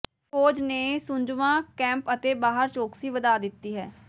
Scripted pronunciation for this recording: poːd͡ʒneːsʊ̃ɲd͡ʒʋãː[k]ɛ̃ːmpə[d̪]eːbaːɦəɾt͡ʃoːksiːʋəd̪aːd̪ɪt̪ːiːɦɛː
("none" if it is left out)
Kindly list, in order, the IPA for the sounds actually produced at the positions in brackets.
k, t̪

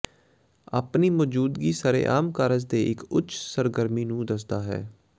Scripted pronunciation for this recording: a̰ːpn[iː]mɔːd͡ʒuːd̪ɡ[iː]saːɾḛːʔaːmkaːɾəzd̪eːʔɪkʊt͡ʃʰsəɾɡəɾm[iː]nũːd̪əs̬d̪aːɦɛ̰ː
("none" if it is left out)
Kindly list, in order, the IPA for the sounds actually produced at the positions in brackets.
iː, iː, iː

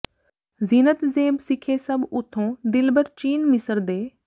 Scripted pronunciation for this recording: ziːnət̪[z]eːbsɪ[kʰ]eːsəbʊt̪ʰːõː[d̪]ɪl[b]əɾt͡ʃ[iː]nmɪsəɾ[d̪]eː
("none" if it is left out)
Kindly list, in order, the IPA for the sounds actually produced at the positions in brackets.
z, kʰ, d̪, b, iː, d̪

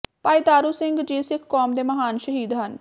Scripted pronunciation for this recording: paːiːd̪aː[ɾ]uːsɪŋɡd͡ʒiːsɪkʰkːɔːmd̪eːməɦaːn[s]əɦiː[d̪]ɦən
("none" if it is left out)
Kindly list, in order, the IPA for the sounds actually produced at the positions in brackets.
ɾ, ʃ, d̪

